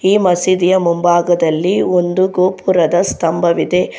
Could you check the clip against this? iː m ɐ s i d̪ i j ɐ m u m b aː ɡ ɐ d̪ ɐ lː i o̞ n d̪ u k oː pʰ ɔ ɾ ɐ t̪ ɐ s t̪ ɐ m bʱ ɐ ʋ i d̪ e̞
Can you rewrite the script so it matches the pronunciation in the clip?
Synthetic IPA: iː m ɐ s i d̪ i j ɐ m u m b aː ɡ ɐ d̪ ɐ lː i o̞ n d̪ u ɡ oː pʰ u ɾ ɐ d̪ ɐ s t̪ ɐ m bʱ ɐ ʋ i d̪ e̞

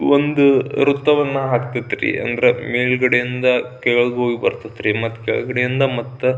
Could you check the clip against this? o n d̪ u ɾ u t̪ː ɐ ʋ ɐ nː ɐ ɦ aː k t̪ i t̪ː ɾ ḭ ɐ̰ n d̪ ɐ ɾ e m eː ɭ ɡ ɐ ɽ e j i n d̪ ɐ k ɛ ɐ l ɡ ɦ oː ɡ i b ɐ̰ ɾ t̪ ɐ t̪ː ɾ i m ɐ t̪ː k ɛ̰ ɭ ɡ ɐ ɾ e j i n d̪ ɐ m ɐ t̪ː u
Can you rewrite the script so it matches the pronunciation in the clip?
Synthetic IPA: o n d̪ u ɾ u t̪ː ɐ ʋ ɐ nː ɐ ɦ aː k t̪ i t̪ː ɾ ḭ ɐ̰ n d̪ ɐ ɾ e m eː ɭ ɡ ɐ ɽ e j i n d̪ ɐ k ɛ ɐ ɭ ɡ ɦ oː ɡ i b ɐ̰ ɾ t̪ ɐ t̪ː ɾ i m ɐ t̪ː k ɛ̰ ɭ ɡ ɐ ɽ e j i n d̪ ɐ m ɐ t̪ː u

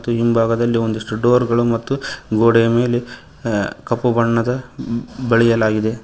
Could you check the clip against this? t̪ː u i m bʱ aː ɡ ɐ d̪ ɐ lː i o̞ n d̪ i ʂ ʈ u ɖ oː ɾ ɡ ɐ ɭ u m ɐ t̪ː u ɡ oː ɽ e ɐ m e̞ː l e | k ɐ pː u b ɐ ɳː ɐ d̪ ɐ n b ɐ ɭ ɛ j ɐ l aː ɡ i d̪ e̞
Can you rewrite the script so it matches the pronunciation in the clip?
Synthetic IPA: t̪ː u i m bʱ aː ɡ ɐ d̪ ɐ lː i o̞ n d̪ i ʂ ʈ u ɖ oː ɾ ɡ ɐ ɭ u m ɐ t̪ː u ɡ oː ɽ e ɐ m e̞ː l e | k ɐ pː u b ɐ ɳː ɐ d̪ ɐ b ɐ ɭ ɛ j ɐ l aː ɡ i d̪ e̞

